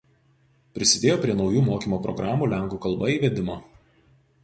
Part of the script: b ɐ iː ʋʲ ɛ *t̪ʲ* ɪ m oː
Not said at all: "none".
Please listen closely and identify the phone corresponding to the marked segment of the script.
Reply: d̪ʲ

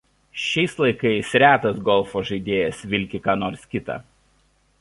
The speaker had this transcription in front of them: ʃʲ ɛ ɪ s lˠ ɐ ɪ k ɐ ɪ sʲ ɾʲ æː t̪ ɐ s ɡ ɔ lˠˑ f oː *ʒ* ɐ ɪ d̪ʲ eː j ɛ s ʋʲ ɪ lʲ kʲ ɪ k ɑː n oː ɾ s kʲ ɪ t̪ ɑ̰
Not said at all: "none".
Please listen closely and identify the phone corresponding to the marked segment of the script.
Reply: ʒ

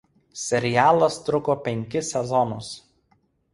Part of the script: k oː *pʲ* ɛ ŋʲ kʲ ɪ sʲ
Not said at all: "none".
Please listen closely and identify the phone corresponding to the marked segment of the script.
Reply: pʲ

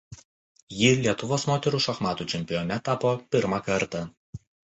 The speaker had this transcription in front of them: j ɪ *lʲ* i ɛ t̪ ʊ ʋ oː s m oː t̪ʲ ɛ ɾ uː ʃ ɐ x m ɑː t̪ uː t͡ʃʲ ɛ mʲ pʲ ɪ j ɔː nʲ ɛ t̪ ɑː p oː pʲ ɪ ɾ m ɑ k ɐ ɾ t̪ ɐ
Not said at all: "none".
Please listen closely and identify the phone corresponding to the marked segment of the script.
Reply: lʲ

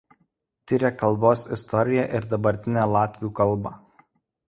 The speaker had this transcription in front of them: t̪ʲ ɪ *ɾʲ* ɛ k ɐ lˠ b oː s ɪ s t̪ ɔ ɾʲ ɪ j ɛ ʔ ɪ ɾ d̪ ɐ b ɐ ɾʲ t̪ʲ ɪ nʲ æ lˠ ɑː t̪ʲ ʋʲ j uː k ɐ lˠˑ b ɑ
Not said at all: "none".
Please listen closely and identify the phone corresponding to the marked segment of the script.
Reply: ɾʲ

